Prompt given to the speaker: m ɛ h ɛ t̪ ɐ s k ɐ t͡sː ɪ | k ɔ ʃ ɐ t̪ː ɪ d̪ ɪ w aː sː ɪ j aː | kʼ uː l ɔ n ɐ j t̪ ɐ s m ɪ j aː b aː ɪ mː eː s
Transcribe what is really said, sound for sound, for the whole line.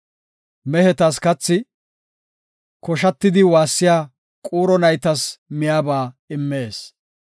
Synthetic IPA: m ɛ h ɛ t̪ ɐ s k ɐ t͡sː ɪ | k ɔ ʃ ɐ t̪ː ɪ d̪ ɪ w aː sː ɪ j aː | kʼ uː ɾ ɔ n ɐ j t̪ ɐ s m ɪ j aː b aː ɪ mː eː s